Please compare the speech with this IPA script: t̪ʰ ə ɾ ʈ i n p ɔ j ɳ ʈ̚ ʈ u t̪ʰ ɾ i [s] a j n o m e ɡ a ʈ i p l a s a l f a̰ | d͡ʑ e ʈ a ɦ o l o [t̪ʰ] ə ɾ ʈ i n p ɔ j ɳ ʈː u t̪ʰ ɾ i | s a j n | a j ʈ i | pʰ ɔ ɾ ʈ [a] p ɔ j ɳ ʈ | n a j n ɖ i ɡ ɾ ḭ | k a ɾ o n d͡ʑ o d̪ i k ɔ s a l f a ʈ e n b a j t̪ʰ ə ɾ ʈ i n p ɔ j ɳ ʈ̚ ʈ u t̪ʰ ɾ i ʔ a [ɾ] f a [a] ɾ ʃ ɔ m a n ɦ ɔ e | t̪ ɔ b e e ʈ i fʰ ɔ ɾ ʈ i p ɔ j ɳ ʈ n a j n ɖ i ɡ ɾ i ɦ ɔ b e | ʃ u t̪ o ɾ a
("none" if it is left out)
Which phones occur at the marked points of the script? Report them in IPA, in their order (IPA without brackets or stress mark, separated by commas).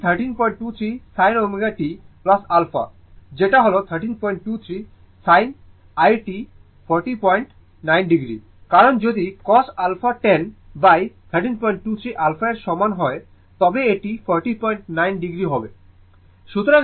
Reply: s, t̪ʰ, i, l, e